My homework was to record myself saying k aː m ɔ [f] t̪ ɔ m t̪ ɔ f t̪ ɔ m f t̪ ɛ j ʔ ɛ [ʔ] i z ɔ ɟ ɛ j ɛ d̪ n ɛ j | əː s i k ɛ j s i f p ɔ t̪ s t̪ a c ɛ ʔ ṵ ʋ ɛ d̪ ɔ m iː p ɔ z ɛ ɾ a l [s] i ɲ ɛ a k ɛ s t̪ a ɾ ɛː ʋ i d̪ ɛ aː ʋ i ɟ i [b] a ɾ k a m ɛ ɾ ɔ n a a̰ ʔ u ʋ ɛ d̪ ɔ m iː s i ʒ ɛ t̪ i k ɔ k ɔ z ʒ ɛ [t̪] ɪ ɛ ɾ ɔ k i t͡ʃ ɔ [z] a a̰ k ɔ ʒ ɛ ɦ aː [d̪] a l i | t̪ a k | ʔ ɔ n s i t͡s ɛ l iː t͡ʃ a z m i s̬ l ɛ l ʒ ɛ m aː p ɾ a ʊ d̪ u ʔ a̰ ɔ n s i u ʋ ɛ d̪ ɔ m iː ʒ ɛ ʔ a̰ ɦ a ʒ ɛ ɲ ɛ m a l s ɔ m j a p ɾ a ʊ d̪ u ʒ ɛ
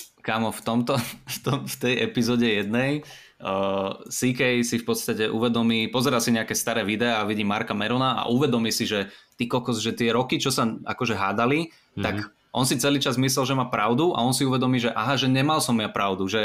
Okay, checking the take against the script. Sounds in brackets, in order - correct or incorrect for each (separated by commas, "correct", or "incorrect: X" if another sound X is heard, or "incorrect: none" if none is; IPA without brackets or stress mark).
correct, incorrect: p, correct, incorrect: m, correct, incorrect: s, correct